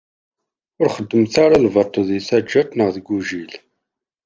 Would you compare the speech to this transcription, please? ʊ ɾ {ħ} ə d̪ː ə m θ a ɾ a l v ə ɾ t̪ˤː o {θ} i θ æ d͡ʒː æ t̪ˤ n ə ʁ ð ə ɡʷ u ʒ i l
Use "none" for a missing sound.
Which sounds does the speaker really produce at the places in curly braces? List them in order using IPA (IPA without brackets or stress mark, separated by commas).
χ, ð